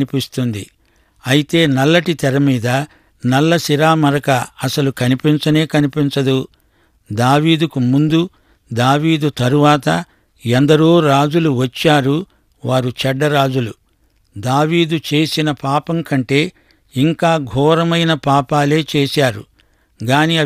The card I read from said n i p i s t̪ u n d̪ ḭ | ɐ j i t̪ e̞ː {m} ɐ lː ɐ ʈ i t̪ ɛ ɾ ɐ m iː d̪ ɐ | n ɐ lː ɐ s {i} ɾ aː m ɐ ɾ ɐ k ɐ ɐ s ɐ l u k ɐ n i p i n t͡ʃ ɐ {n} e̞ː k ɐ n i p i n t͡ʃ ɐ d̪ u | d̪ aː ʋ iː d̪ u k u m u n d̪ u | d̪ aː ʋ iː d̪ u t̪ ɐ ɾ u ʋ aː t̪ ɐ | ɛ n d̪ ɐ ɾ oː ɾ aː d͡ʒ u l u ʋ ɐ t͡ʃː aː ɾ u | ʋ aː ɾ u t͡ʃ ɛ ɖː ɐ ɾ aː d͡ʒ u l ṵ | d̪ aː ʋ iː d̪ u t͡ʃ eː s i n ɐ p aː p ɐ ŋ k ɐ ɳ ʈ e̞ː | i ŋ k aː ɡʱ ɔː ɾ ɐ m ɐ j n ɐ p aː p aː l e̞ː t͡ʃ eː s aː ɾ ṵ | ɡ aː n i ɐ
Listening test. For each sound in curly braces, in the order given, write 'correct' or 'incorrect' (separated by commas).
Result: incorrect, correct, correct